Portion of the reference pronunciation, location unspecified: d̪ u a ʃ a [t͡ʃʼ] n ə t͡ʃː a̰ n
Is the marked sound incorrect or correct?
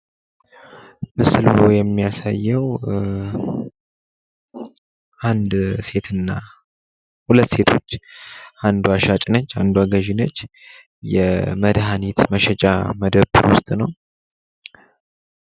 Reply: correct